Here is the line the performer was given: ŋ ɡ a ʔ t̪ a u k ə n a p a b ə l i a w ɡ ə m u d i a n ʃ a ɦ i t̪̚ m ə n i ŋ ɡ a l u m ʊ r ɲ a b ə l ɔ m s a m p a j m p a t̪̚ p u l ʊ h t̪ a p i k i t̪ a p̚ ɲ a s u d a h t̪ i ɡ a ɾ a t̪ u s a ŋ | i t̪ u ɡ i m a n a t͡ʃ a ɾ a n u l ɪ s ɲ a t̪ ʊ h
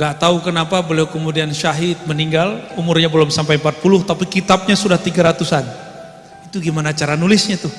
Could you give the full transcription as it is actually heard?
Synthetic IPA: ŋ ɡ a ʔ t̪ a u k ə n a p a b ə l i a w k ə m u d i a n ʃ a ɦ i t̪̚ m ə n i ŋ ɡ a l u m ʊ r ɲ a b ə l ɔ m s a m p a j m p a t̪̚ p u l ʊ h t̪ a p i k i t̪ a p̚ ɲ a s u d a h t̪ i ɡ a ɾ a t̪ u s a n | i t̪ u ɡ i m a n a t͡ʃ a ɾ a n u l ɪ s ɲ a t̪ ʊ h